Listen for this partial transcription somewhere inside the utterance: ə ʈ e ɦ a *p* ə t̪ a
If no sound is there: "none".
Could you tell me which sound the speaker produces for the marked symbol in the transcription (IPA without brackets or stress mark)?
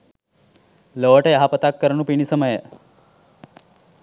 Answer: p